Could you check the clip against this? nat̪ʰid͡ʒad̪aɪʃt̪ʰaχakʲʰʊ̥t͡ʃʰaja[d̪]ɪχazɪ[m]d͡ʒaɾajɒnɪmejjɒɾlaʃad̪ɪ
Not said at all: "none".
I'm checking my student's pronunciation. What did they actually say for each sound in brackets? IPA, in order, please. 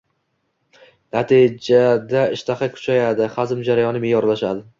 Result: d̪, m

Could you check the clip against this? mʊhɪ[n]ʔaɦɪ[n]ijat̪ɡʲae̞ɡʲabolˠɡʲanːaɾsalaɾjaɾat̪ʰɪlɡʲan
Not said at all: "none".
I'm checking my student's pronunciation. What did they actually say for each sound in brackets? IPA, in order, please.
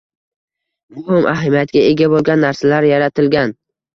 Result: m, m

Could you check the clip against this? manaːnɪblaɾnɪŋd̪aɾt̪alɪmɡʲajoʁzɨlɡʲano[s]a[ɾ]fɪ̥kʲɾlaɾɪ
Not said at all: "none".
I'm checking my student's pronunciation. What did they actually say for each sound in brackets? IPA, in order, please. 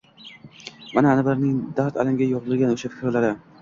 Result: ʃ, none

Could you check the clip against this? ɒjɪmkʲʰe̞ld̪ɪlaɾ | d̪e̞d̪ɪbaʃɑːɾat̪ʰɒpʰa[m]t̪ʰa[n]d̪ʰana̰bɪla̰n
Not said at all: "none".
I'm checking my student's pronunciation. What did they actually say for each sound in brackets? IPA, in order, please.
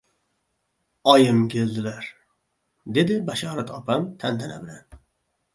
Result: m, n

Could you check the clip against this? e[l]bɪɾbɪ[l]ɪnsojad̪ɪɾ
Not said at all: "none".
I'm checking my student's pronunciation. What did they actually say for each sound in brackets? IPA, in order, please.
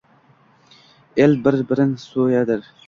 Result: l, ɾ

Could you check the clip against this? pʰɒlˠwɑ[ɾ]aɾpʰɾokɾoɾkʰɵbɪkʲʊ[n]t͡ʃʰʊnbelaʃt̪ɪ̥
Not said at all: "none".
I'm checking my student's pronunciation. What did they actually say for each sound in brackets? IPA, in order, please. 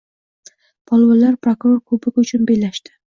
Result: l, none

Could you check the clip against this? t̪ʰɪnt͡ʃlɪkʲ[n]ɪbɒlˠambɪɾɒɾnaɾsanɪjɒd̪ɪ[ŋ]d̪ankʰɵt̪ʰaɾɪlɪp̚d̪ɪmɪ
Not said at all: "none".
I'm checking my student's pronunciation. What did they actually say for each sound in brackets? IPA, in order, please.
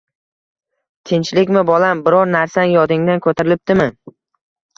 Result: m, ŋ

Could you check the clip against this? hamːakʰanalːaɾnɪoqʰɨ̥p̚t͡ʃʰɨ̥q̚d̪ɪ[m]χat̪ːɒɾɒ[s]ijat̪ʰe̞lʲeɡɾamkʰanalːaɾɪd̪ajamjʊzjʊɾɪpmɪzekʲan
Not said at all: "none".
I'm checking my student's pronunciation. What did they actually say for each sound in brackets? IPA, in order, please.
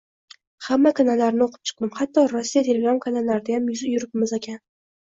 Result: m, sː

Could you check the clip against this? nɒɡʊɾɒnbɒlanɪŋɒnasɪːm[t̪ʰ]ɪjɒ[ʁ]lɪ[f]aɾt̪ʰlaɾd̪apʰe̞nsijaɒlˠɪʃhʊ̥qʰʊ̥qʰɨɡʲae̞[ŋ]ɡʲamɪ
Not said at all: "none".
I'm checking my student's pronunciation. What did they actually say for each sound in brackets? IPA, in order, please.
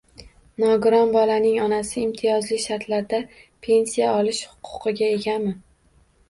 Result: t̪ʰ, z, ʃ, none

